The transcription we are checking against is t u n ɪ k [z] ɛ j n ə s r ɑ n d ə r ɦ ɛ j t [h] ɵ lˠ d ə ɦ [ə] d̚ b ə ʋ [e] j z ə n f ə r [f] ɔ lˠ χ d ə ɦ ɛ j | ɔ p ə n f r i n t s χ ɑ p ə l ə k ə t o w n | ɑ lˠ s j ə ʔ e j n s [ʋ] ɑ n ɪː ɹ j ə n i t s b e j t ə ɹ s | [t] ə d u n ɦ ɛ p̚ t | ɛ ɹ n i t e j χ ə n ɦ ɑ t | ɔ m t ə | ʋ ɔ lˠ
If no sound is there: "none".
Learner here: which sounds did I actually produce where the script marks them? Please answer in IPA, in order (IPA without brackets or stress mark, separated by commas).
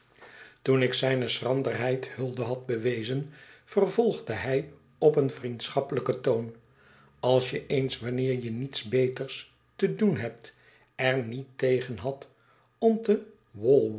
s, h, ɑ, e, v, ʋ, t